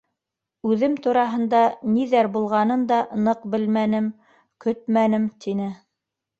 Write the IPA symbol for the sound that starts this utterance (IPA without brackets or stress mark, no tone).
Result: ʉ